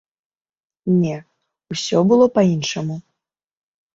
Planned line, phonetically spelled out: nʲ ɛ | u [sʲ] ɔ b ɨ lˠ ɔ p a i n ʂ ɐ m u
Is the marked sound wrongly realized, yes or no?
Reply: no